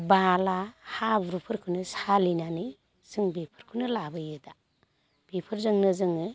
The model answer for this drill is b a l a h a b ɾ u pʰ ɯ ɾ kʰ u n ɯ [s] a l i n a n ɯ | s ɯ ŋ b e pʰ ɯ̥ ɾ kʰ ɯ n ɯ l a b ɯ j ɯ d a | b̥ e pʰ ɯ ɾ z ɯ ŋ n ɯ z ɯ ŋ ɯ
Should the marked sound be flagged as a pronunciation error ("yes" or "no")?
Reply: no